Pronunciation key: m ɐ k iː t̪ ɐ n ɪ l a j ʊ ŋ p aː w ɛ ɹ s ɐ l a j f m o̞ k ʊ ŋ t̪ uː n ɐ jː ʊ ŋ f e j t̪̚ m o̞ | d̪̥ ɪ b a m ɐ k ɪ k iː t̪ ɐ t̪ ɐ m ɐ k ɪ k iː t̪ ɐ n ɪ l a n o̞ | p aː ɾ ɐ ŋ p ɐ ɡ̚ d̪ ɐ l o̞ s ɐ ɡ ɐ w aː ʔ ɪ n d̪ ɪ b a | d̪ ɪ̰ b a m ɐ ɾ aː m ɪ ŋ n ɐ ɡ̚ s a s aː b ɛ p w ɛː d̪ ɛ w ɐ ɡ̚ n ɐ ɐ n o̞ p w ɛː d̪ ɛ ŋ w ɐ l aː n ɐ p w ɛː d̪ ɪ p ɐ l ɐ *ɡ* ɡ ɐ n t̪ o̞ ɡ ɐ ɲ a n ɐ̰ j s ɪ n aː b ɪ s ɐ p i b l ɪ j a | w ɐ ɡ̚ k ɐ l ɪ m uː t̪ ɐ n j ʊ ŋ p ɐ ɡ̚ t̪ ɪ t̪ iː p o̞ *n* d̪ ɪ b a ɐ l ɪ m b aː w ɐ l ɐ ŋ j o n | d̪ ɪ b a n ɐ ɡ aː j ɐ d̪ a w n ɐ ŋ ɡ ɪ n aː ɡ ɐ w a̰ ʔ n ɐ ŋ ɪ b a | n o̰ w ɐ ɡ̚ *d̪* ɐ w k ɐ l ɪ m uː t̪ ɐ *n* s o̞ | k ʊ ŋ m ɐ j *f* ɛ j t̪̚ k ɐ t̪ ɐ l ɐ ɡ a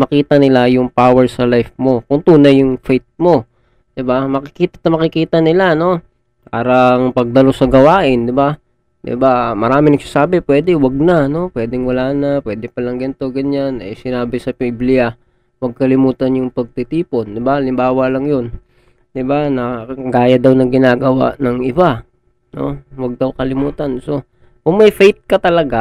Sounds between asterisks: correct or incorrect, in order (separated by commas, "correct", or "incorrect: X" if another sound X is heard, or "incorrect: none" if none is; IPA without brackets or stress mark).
incorrect: ŋ, correct, correct, correct, correct